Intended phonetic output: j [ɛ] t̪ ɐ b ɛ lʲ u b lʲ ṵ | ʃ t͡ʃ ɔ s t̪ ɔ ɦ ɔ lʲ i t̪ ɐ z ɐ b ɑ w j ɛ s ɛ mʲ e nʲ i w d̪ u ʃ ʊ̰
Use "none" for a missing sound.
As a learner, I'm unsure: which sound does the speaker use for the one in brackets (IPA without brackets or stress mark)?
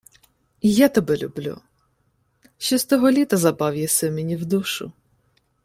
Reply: a